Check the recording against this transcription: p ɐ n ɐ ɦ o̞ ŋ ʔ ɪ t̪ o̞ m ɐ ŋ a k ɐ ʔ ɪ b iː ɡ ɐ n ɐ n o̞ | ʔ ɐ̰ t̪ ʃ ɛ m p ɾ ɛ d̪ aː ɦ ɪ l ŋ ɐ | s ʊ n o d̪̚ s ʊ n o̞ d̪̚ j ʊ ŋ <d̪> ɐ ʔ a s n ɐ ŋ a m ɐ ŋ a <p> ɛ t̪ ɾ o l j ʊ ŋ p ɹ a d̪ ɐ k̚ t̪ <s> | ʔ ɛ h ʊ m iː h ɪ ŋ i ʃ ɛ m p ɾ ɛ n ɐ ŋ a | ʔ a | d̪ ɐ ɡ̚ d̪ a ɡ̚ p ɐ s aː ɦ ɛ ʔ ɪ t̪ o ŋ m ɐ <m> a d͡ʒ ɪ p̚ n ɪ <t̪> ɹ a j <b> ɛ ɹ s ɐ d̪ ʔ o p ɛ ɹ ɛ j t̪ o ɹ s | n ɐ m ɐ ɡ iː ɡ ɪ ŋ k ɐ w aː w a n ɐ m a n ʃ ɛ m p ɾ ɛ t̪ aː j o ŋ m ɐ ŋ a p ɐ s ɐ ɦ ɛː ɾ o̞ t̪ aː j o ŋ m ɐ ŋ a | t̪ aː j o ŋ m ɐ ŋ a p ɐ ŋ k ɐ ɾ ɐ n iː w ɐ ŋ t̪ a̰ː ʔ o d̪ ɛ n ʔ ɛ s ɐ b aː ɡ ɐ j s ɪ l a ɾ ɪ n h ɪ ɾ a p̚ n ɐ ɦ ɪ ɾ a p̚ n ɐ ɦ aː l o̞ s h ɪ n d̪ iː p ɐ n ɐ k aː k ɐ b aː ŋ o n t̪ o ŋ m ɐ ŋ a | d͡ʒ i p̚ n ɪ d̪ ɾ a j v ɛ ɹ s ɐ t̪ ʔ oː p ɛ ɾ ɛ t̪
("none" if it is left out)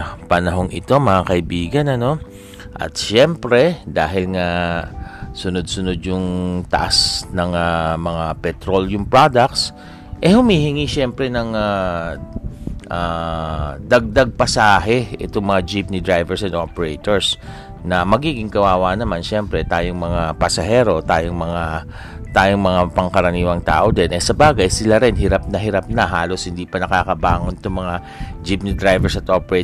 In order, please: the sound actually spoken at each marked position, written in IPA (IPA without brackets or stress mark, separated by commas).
t̪, p, s, ŋ, d̪, v